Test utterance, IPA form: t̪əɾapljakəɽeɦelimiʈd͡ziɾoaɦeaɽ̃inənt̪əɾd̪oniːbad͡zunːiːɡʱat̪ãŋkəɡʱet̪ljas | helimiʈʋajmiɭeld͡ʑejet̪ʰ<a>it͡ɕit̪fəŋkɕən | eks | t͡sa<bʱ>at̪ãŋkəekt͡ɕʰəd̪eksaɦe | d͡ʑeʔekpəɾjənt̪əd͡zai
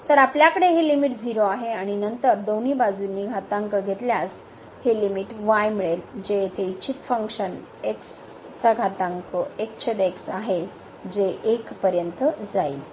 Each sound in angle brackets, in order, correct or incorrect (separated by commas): incorrect, incorrect